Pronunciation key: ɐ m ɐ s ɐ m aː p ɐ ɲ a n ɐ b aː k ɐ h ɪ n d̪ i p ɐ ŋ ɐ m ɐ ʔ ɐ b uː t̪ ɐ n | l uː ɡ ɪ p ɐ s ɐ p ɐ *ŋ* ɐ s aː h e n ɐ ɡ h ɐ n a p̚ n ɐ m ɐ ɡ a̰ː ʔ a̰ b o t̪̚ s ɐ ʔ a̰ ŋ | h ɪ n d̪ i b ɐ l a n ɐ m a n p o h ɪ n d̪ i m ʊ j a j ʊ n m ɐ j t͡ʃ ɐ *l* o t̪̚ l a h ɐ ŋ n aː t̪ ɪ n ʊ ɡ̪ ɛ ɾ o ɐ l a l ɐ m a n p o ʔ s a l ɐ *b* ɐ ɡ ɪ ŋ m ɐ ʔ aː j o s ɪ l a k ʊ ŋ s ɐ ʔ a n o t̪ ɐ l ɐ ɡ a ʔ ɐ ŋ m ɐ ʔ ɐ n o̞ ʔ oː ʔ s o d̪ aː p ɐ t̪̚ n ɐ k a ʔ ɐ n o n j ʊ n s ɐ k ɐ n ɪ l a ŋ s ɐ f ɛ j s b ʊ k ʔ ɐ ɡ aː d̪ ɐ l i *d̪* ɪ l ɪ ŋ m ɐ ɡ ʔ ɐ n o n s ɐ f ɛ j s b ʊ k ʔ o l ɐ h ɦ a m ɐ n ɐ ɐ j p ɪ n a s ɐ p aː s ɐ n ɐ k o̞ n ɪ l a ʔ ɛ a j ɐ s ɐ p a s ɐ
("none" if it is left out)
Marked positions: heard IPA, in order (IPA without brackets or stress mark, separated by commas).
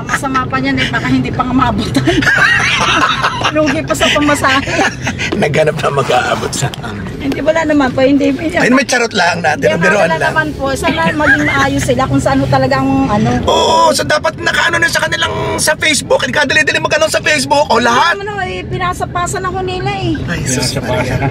m, ɾ, m, d̪